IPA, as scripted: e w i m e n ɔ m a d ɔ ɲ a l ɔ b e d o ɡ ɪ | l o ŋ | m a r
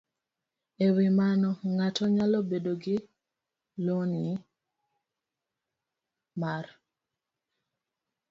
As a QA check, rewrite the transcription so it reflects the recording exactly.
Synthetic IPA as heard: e w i m a n ɔ ŋ a t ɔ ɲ a l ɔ b e d o ɡ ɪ | l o n | m a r